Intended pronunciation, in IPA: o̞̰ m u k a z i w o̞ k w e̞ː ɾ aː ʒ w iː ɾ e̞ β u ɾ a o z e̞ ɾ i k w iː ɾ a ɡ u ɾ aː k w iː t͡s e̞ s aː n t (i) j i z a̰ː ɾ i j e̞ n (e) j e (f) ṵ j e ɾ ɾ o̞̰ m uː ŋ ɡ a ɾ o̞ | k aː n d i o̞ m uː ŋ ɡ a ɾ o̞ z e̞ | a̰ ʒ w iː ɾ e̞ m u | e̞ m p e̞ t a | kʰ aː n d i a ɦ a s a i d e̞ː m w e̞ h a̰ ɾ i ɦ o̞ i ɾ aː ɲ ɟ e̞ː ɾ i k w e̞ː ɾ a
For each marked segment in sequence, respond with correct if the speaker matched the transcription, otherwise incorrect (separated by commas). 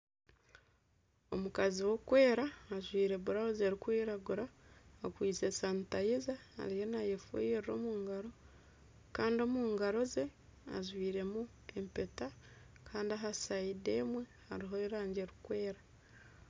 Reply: incorrect, incorrect, correct